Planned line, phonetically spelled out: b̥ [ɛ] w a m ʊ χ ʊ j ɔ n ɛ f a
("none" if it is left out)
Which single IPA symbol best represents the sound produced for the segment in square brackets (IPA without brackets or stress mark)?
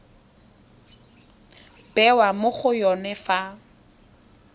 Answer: ɛ